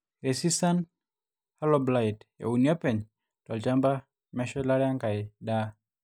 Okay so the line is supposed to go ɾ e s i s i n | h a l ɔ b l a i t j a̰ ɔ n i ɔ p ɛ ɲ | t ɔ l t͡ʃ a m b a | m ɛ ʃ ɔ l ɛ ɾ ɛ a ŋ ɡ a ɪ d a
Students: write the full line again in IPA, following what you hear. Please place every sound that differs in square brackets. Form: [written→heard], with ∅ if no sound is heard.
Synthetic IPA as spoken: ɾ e s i s [i→a] n | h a l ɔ b l a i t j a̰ [ɔ→u] n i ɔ p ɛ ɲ | t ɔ l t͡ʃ a m b a | m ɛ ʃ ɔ l [ɛ→a] ɾ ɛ a ŋ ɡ a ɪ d a